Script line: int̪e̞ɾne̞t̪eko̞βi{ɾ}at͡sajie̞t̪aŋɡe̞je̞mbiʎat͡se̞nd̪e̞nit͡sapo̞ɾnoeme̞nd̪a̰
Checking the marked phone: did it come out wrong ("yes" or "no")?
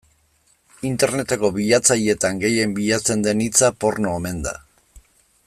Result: yes